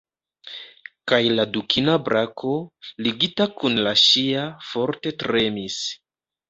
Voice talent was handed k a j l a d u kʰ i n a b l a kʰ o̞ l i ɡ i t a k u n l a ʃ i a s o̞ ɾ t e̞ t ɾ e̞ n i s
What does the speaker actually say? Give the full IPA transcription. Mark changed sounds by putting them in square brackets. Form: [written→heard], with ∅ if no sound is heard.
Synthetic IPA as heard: k a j l a d u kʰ i n a b [l→ɾ] a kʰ o̞ l i ɡ i t a k u n l a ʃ i a [s→f] o̞ ɾ t e̞ t ɾ e̞ [n→m] i s